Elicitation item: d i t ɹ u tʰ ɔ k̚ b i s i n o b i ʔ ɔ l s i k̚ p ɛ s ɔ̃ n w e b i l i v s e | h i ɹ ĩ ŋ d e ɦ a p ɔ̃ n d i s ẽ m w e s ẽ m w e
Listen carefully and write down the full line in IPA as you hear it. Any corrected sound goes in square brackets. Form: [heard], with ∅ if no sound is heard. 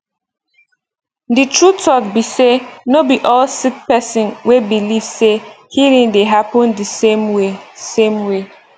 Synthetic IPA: d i t ɹ u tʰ ɔ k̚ b i s [e] n o b i ʔ ɔ l s i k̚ p ɛ s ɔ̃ n w e b i l i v s e | h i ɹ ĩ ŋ d e ɦ a p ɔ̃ n d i s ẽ m w e s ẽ m w e